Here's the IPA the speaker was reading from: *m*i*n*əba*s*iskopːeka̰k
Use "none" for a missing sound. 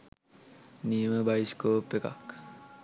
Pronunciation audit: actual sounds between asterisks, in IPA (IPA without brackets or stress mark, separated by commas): n, m, none